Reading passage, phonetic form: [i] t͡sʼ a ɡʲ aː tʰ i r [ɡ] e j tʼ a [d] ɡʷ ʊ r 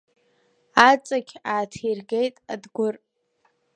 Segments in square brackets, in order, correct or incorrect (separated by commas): incorrect, correct, correct